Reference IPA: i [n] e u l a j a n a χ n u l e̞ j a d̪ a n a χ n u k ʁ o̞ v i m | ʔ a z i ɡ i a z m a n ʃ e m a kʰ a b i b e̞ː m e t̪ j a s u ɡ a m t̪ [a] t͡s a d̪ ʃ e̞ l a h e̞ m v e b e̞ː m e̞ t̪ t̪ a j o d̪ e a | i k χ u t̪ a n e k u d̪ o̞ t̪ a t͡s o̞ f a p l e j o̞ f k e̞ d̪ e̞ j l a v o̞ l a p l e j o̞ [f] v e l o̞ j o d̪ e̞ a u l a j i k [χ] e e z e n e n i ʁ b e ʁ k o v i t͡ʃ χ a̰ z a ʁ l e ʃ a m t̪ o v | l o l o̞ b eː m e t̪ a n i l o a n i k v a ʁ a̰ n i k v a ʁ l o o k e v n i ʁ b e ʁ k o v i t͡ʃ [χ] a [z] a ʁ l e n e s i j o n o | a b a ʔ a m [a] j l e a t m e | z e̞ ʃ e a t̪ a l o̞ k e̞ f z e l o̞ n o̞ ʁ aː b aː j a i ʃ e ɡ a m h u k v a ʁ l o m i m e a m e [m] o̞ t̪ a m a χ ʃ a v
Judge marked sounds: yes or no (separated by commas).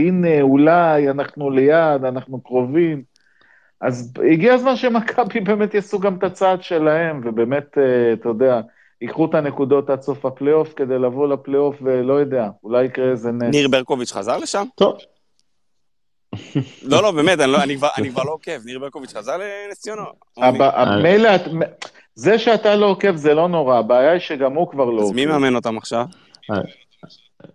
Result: yes, yes, yes, no, yes, yes, no, no